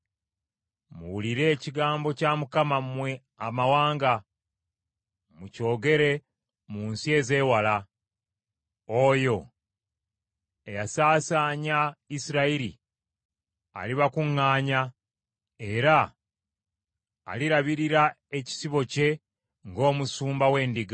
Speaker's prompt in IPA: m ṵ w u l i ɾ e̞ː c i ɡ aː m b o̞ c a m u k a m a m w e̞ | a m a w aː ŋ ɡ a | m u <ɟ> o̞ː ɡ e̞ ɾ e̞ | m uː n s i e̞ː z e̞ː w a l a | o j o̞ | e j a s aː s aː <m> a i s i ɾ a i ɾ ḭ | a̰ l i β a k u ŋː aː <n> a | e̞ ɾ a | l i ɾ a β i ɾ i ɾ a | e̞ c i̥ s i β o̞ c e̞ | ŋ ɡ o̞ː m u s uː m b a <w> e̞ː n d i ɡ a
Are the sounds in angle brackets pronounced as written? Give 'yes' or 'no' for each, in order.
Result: no, no, no, yes

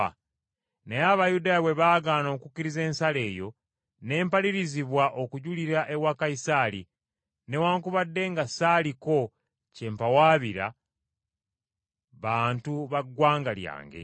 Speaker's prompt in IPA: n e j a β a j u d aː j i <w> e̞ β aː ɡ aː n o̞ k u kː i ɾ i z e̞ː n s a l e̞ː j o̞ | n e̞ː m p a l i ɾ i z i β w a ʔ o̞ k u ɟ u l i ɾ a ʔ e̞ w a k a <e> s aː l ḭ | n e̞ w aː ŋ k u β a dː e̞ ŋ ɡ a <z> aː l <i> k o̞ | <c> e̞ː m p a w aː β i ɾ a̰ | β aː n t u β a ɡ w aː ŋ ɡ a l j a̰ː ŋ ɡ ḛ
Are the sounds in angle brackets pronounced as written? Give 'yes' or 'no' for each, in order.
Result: yes, no, no, yes, yes

